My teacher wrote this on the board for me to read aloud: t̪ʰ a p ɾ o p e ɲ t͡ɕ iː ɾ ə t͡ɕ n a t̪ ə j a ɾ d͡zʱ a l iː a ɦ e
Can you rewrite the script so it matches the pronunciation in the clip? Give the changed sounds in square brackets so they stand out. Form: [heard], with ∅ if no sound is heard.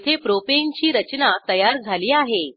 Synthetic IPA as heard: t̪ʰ [e] p ɾ o p e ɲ t͡ɕ iː ɾ ə t͡ɕ n a t̪ ə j a ɾ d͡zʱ a l iː a ɦ e